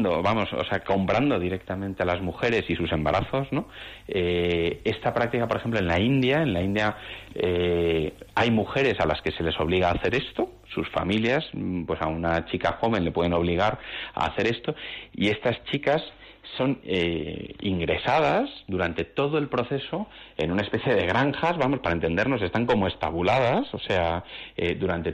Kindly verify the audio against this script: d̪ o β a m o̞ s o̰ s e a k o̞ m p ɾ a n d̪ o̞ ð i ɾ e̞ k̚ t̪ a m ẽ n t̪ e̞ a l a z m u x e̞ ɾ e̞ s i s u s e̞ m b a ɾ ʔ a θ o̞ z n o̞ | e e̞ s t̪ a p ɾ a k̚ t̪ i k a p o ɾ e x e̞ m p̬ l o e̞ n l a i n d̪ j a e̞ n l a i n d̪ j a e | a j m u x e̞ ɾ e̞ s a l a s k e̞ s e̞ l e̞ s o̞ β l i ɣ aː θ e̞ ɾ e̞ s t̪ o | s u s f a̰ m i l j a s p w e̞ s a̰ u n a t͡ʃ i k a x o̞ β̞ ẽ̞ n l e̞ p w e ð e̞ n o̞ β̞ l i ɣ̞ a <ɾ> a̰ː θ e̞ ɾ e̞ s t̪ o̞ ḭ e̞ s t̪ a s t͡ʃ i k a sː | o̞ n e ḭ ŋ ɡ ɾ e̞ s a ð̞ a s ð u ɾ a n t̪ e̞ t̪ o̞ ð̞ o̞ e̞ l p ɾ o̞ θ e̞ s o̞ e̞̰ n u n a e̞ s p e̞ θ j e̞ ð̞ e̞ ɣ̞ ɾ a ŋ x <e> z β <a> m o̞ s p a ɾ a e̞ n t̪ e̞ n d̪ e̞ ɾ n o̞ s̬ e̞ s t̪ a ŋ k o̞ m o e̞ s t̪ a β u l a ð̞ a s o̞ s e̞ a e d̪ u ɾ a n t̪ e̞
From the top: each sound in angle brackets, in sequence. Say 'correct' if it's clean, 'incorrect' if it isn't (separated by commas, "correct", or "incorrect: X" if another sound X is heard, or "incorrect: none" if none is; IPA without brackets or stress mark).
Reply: correct, incorrect: a, correct